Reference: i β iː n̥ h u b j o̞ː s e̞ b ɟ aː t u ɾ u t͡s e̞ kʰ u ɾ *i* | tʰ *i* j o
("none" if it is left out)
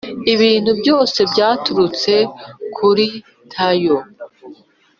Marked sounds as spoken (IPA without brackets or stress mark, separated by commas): i, a